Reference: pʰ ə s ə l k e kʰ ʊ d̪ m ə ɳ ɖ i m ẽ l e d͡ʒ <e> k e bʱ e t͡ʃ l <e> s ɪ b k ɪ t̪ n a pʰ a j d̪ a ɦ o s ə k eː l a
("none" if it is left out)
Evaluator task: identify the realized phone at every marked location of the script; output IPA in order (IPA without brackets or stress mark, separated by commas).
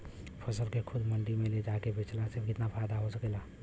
a, a